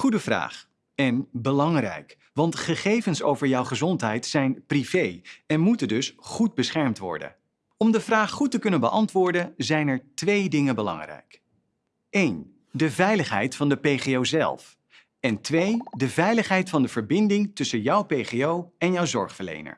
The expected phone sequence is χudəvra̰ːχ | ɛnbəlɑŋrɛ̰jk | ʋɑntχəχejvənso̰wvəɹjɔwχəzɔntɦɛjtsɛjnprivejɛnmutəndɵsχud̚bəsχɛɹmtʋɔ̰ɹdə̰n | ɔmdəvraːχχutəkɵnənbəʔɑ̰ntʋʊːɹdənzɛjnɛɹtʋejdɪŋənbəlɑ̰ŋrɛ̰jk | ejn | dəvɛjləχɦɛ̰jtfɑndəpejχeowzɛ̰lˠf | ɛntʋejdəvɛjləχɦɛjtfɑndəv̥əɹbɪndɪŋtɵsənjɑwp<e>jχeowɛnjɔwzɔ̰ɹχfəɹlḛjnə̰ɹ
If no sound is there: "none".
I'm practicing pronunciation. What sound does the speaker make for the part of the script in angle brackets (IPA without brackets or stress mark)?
e